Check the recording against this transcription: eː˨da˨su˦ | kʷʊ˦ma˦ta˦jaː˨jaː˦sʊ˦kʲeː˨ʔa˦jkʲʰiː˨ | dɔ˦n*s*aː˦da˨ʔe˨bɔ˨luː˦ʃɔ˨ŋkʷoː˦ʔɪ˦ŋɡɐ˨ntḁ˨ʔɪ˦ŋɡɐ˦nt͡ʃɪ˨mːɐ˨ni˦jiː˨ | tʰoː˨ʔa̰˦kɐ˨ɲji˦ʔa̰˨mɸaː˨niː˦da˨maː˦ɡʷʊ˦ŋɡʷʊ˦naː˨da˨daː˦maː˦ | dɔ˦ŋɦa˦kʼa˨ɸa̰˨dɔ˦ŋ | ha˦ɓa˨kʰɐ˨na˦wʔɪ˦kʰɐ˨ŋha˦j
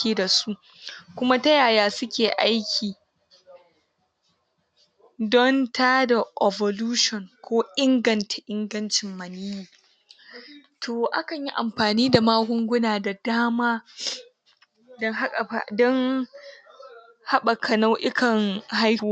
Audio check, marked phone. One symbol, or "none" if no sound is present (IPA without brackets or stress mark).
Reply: t